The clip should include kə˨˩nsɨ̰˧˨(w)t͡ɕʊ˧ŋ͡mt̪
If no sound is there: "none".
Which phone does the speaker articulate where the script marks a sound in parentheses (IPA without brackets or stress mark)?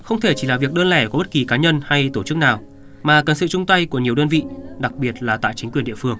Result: none